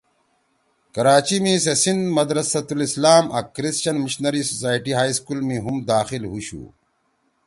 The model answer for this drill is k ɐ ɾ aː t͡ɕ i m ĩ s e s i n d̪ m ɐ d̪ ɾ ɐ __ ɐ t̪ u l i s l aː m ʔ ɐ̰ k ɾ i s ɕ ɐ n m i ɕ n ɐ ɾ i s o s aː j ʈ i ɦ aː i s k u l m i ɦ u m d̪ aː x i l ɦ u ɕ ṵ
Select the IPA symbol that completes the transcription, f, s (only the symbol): s